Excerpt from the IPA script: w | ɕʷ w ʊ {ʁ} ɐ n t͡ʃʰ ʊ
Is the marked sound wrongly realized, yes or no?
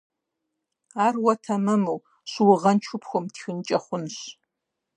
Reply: no